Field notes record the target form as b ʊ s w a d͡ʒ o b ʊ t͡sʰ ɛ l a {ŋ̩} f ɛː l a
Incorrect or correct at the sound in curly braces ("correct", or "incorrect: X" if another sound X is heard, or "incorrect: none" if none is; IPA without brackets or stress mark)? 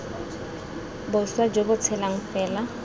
correct